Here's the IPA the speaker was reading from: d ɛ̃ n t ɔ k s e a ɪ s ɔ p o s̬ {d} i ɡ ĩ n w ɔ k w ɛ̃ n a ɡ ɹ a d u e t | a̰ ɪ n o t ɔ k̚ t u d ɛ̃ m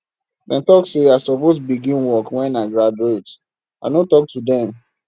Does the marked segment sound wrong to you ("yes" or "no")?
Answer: yes